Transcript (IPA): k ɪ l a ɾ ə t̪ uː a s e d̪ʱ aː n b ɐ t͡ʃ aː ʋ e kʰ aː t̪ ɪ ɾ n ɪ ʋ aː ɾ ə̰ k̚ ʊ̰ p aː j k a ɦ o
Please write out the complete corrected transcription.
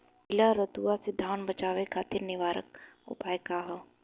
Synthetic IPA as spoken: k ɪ l a ɾ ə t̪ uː a s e d̪ʱ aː n b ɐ t͡ʃ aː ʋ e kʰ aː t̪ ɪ ɾ n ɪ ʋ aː ɾ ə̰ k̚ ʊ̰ p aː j k a ɦ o